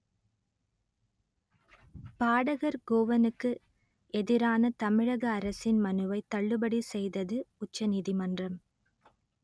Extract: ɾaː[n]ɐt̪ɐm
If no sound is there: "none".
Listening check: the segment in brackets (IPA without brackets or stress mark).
n